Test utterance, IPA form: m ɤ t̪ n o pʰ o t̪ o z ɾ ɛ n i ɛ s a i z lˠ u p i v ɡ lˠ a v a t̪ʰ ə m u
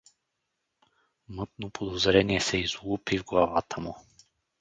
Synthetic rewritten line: m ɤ t̪ n o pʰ o d̪ o z ɾ ɛ n i ɛ s ɛ i z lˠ u p i v ɡ lˠ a v a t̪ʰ ə m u